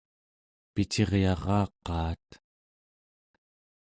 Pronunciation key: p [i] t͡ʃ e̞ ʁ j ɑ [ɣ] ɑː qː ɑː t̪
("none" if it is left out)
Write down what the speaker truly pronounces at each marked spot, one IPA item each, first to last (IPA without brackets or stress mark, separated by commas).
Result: i, ʁ